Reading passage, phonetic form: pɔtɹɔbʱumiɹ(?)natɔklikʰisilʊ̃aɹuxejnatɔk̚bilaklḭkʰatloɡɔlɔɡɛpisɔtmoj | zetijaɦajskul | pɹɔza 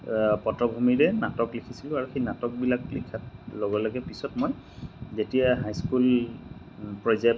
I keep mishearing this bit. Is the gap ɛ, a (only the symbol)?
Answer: ɛ